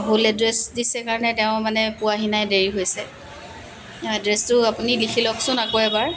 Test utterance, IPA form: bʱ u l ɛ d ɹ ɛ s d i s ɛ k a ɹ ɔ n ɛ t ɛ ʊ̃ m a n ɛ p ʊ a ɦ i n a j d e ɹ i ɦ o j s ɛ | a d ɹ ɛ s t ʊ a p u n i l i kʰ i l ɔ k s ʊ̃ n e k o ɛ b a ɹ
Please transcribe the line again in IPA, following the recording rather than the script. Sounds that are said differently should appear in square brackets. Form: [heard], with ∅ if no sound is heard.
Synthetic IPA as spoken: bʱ u l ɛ d ɹ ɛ s d i s ɛ k a ɹ ɔ n ɛ t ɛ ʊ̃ m a n ɛ p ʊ a ɦ i n a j d e ɹ i ɦ o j s ɛ | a d ɹ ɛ s t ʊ a p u n i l i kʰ i l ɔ k s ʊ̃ n [a] k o ɛ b a ɹ